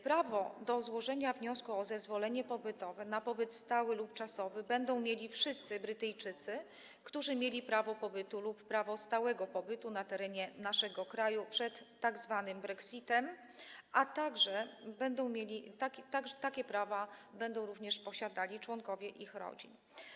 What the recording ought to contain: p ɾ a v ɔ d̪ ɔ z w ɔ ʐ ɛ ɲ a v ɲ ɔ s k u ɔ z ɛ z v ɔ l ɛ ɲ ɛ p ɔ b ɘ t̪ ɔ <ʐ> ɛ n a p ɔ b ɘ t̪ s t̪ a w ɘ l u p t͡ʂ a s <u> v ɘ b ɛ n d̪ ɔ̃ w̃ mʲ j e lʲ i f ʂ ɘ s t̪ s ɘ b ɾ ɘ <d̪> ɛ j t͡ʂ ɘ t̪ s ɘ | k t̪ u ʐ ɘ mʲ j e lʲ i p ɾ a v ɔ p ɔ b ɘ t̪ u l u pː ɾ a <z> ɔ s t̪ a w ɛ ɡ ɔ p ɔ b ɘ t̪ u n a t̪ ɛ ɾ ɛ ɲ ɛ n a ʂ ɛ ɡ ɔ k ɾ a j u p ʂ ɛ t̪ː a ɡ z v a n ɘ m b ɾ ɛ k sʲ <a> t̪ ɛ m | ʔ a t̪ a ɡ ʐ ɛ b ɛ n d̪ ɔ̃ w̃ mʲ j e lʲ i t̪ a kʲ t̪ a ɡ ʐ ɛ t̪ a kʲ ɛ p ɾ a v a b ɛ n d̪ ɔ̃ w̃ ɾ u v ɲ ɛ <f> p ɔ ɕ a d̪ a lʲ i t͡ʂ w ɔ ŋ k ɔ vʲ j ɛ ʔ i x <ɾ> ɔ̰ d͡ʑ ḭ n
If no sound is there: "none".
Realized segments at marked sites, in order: v, ɔ, t̪, v, i, ʂ, ɾ

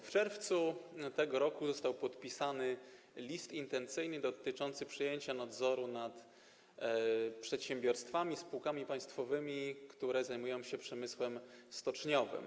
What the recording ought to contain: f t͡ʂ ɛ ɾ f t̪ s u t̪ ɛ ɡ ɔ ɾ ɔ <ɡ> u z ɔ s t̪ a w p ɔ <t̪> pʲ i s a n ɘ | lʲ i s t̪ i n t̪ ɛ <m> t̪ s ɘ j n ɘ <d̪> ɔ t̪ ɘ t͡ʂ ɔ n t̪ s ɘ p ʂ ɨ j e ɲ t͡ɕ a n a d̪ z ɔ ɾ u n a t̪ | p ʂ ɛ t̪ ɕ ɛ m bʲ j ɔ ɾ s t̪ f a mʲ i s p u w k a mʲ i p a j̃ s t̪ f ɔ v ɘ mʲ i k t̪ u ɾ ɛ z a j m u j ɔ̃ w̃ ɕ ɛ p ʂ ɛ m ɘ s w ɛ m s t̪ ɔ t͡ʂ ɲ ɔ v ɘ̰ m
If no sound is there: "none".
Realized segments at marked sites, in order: k, t̪, n, d̪

